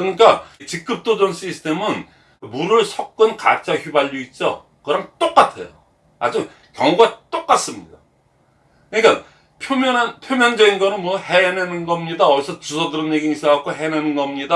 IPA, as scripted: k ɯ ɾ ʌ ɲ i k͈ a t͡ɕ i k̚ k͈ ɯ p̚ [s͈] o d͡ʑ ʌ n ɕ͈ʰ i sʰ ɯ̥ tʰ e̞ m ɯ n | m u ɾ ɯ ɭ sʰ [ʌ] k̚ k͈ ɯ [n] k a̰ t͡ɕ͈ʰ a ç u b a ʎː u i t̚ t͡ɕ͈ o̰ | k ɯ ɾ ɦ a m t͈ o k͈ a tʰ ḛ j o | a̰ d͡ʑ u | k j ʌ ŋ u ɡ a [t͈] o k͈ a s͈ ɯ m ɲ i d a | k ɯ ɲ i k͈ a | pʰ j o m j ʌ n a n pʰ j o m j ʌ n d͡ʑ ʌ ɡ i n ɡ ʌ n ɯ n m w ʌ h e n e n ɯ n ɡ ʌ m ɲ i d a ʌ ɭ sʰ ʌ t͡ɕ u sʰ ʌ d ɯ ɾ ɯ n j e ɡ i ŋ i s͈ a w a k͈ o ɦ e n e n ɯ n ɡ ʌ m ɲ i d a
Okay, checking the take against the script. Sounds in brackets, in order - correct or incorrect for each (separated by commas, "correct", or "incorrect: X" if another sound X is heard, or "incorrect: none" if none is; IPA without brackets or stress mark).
incorrect: t͈, correct, correct, correct